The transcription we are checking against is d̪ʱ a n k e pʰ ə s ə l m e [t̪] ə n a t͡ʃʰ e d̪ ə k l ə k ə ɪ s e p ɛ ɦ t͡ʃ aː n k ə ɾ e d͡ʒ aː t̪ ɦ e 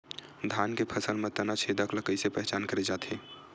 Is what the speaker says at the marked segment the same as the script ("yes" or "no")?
yes